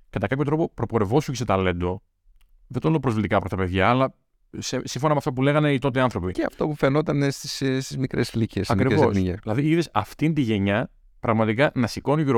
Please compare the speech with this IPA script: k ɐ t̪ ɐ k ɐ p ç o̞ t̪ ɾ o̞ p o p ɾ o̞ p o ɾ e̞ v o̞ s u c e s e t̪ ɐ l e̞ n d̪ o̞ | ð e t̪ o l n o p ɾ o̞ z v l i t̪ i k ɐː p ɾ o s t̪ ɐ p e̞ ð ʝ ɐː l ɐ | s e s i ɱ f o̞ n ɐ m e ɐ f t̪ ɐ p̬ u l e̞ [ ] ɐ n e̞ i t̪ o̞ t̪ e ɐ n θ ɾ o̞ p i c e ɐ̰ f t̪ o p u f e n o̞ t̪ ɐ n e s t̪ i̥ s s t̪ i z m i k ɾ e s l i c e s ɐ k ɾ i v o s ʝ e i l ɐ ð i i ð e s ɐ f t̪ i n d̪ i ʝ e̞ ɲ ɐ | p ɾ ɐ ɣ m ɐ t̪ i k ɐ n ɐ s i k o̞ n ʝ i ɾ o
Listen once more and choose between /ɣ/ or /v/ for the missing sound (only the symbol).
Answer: ɣ